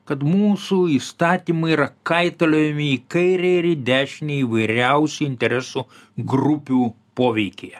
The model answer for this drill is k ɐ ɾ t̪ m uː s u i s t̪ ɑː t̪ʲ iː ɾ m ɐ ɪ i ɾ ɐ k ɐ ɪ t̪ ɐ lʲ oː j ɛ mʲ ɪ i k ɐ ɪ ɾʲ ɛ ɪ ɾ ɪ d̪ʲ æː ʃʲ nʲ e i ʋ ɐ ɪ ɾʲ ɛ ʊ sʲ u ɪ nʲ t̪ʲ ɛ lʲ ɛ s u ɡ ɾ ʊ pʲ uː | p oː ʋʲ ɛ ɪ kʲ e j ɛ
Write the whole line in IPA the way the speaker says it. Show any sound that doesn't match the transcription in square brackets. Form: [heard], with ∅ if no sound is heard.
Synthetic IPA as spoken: k ɐ [∅] t̪ m uː s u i s t̪ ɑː t̪ʲ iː [∅] m ɐ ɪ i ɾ ɐ k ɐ ɪ t̪ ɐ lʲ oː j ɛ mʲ ɪ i k ɐ ɪ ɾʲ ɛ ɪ ɾ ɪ d̪ʲ æː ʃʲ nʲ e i ʋ ɐ ɪ ɾʲ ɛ ʊ sʲ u ɪ nʲ t̪ʲ ɛ [ɾʲ] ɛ s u ɡ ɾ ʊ pʲ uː | p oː ʋʲ ɛ ɪ kʲ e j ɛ